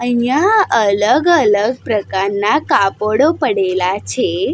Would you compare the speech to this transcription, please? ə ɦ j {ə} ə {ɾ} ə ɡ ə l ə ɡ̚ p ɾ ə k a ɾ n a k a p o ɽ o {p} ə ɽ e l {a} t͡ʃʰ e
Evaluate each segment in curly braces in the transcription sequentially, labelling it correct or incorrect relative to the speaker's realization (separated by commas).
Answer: incorrect, incorrect, correct, correct